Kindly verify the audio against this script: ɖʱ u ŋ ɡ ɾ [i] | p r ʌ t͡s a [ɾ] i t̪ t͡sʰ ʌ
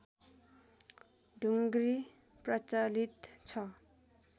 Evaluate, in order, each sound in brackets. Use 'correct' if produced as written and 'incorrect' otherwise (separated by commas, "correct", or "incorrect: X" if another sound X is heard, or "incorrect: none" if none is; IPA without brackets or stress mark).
correct, incorrect: l